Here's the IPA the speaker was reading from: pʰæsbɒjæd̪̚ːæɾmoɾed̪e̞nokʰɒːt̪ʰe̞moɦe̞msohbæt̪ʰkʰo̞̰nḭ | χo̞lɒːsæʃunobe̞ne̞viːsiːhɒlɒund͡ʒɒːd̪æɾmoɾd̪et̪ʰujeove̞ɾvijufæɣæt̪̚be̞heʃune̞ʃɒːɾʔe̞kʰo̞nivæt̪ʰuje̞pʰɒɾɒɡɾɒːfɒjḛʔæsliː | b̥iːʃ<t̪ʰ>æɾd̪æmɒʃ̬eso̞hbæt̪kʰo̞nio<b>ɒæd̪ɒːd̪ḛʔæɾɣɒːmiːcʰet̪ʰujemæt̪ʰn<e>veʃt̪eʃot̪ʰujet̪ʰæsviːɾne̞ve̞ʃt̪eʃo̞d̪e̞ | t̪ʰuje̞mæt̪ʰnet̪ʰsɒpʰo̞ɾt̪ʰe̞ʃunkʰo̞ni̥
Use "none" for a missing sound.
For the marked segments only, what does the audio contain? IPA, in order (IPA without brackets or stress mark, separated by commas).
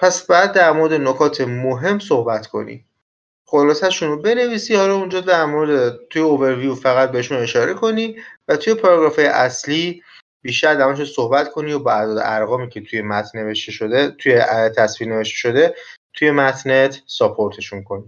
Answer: t̪, b, e